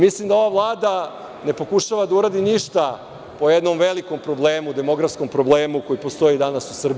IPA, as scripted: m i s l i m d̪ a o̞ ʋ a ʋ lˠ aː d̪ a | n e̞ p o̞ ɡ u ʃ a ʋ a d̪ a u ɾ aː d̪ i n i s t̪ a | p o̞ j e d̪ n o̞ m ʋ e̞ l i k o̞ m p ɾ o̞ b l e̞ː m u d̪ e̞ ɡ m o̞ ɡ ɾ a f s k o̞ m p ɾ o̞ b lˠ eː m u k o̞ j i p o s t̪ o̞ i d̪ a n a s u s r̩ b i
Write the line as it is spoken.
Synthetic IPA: m i s l i m d̪ a o̞ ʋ a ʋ lˠ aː d̪ a | n e̞ p o̞ k u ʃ a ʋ a d̪ a u ɾ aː d̪ i n i ʃ t̪ a | p o̞ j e d̪ n o̞ m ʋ e̞ l i k o̞ m p ɾ o̞ b l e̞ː m u d̪ e̞ m o̞ ɡ ɾ a f s k o̞ m p ɾ o̞ b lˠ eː m u k o̞ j i p o s t̪ o̞ i d̪ a n a s u s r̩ b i